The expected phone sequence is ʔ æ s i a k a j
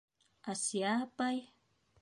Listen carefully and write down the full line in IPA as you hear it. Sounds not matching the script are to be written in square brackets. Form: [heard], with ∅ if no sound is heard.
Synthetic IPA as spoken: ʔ [a] s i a [p] a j